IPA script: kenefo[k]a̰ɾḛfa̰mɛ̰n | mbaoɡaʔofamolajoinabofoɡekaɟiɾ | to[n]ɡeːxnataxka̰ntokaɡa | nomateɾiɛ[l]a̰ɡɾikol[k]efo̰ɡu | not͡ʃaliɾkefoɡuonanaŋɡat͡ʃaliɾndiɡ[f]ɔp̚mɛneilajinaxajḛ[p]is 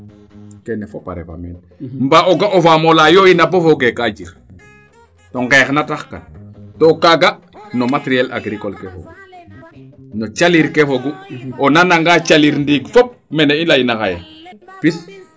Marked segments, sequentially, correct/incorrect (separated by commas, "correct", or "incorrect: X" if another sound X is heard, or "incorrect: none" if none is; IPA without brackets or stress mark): incorrect: p, incorrect: ŋ, correct, correct, correct, correct